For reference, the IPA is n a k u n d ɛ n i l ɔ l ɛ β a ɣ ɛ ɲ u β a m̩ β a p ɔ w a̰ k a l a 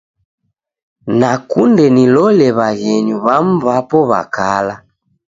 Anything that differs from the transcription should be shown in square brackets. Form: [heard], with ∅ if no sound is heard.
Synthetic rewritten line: n a k u n d ɛ n i l ɔ l ɛ β a ɣ ɛ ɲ u β a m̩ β a p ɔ [β] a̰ k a l a